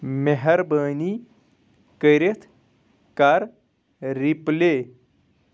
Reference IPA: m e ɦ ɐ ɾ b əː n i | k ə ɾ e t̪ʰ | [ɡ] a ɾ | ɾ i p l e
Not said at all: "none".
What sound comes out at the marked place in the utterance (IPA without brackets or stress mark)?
k